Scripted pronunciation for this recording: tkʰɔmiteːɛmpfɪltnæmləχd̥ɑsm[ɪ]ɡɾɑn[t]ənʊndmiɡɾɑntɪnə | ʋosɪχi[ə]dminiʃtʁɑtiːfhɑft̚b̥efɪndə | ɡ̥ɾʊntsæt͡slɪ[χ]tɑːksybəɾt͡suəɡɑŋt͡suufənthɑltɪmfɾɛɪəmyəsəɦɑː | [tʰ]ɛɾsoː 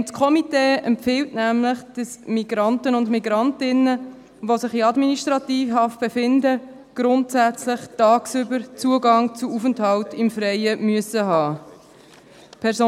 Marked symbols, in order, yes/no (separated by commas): no, yes, no, yes, no